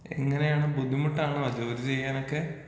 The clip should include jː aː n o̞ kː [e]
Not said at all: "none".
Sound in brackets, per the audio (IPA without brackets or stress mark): e